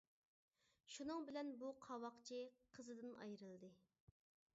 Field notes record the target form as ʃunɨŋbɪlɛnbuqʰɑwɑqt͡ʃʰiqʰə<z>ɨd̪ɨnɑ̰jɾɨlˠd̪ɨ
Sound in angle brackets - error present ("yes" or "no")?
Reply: no